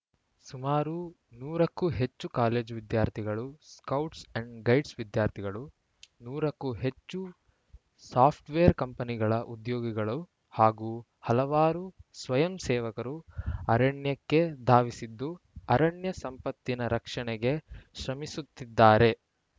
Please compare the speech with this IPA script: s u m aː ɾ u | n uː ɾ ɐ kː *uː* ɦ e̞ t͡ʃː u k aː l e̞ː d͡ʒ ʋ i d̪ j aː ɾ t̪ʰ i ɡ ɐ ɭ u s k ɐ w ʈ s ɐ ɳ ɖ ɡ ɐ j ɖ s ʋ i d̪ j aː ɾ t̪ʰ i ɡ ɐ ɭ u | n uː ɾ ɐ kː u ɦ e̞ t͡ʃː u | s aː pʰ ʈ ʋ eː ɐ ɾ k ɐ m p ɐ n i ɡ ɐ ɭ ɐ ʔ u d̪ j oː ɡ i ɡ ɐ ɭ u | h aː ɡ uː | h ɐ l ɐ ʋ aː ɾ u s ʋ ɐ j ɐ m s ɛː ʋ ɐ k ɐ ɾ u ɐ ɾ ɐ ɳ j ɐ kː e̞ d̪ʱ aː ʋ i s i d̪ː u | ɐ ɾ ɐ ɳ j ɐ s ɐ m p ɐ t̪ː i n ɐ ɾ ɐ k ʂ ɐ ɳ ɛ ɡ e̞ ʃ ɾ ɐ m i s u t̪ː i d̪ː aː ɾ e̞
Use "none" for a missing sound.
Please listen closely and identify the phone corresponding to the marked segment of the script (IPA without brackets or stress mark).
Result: u